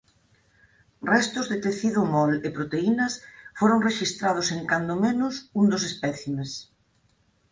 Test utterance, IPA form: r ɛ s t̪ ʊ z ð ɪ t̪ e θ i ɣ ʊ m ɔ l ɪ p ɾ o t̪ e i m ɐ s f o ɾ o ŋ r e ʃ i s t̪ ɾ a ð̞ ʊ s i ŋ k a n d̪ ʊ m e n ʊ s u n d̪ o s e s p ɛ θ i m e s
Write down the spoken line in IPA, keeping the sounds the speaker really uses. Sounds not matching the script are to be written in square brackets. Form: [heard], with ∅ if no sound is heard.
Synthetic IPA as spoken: r ɛ s t̪ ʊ z ð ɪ t̪ e θ i [ð] ʊ m ɔ l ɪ p ɾ o t̪ e i [n] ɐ s f o ɾ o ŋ r e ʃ i s t̪ ɾ a ð̞ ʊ s [e] ŋ k a n d̪ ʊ m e n ʊ s u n d̪ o s e s p ɛ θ i m e s